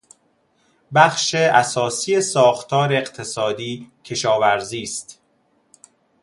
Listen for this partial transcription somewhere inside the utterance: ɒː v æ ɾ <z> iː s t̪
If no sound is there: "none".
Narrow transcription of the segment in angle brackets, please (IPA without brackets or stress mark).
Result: z